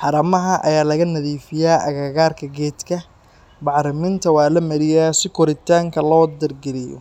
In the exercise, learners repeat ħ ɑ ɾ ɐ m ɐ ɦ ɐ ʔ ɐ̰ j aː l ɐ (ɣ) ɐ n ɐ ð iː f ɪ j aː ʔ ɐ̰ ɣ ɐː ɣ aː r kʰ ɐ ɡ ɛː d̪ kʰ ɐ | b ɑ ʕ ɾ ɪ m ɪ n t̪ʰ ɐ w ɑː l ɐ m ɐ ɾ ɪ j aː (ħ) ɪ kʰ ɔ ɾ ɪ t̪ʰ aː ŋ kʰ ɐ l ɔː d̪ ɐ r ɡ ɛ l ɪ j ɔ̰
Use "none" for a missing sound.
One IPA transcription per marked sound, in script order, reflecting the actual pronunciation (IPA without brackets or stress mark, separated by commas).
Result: ɣ, s